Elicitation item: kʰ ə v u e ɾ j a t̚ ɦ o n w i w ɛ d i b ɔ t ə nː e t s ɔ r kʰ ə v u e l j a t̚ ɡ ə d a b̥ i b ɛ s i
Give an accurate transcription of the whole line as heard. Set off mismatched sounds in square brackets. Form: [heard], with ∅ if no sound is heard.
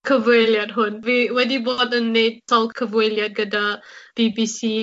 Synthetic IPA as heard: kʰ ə v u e [l] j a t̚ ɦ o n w i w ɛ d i b ɔ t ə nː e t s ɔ [l] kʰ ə v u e l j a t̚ ɡ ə d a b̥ i b [i] s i